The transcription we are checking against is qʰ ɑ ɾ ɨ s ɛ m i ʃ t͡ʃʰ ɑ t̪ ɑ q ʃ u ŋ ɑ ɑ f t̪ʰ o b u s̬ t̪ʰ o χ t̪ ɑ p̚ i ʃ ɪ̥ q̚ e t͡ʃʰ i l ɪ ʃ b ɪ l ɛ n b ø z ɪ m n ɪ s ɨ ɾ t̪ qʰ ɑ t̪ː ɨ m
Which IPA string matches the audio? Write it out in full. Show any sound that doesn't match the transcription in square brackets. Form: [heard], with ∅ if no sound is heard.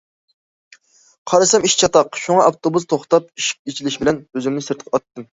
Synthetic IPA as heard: qʰ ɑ ɾ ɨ s ɛ m i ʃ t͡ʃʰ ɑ t̪ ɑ q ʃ u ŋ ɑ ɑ f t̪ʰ o b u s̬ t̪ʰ o χ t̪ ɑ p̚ i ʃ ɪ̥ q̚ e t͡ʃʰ i l ɪ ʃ b ɪ l ɛ n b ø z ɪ m n ɪ s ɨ ɾ t̪ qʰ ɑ t̪ː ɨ m